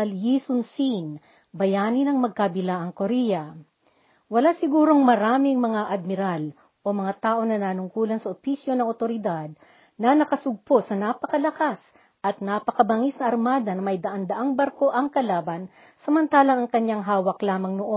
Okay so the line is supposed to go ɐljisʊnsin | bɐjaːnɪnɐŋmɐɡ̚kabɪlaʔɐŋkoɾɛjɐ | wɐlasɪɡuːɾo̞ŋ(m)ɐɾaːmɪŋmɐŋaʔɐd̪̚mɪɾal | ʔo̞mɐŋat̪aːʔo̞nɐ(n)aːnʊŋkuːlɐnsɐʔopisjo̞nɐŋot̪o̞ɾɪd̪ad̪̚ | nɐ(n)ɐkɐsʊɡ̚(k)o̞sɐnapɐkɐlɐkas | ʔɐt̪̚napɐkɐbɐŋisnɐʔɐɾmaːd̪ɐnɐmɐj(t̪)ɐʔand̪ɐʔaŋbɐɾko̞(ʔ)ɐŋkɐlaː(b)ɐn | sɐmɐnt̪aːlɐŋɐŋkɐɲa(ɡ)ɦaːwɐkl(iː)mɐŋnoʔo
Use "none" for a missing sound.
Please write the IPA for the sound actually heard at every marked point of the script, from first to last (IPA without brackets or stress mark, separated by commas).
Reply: m, n, n, p, d̪, ʔ, b, ŋ, aː